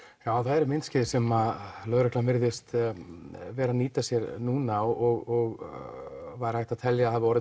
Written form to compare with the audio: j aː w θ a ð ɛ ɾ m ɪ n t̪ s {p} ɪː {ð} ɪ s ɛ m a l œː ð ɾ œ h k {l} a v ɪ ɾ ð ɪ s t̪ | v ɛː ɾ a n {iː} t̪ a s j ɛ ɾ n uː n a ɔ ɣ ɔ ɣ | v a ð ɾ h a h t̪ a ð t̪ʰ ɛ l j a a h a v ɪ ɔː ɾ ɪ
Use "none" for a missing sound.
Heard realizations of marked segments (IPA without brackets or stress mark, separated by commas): c, ð, l, iː